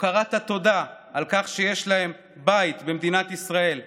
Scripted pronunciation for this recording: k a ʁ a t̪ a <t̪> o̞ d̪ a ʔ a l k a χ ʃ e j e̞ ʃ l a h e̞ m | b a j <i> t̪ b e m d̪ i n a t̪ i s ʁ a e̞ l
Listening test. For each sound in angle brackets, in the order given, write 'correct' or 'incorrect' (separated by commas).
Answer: correct, correct